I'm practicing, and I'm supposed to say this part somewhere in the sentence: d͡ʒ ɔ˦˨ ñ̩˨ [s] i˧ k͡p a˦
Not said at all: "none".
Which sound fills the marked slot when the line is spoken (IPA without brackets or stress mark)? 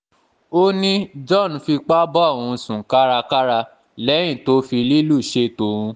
f